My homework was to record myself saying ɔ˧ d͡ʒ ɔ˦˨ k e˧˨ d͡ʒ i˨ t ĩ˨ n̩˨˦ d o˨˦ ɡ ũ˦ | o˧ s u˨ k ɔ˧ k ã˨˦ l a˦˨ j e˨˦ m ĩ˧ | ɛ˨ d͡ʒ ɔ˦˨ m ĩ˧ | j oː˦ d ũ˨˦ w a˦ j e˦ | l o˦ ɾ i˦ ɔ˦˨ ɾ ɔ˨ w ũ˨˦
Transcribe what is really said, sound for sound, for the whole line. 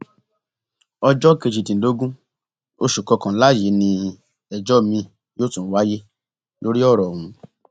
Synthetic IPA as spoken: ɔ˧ d͡ʒ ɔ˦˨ k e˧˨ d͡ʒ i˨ t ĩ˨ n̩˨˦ d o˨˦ ɡ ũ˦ | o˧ ʃ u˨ k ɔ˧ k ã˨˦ l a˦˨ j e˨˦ n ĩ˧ | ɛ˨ d͡ʒ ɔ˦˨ m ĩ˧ | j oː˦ t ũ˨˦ w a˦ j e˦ | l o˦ ɾ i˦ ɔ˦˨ ɾ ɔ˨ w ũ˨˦